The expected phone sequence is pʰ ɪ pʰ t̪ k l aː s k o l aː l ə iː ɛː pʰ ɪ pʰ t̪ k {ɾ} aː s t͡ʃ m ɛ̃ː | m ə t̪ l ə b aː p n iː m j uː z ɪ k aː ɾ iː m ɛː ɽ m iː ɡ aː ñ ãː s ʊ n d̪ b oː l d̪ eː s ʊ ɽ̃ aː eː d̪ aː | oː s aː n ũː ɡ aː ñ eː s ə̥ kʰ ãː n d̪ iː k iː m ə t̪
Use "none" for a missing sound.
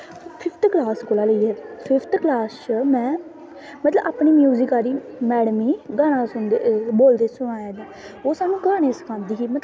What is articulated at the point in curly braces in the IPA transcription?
l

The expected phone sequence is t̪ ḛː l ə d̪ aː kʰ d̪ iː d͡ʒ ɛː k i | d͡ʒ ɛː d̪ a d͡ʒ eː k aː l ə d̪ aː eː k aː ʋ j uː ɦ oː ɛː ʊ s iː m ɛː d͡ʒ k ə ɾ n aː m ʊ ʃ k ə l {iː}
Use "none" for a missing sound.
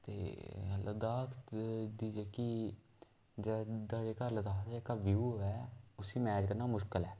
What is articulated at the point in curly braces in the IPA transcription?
ɛː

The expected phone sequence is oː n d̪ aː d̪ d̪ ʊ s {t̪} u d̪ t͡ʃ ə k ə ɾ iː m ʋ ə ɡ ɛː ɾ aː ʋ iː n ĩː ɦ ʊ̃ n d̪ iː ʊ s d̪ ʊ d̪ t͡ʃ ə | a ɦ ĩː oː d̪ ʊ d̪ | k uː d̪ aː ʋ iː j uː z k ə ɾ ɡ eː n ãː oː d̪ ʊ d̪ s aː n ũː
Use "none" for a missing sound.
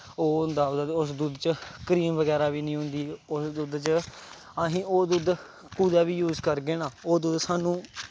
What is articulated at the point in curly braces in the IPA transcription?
d̪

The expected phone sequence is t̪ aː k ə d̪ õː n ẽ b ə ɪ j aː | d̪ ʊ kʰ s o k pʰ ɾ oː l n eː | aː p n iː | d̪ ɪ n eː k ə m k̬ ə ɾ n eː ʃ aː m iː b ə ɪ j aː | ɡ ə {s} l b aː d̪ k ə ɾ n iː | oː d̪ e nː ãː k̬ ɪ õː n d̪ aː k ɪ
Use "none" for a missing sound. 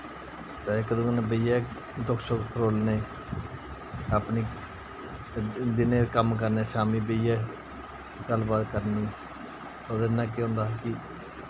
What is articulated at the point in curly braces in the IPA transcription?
none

